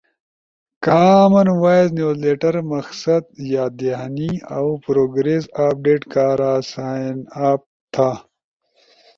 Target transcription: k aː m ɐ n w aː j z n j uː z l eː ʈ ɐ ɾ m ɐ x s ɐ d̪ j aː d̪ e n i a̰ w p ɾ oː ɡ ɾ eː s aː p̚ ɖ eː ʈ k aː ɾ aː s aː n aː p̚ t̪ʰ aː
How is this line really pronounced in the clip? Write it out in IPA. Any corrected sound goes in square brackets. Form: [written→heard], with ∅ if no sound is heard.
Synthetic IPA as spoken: k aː m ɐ n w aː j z n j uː z l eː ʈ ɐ ɾ m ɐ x s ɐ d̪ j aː d̪ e n i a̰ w p ɾ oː ɡ ɾ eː s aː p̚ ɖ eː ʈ k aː ɾ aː s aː n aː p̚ t̪ʰ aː